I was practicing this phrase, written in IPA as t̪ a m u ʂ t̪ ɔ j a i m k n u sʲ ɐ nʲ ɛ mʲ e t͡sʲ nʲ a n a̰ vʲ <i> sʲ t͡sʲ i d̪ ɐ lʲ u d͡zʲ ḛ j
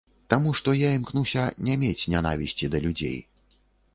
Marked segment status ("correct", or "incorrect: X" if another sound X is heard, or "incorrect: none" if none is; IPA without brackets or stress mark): correct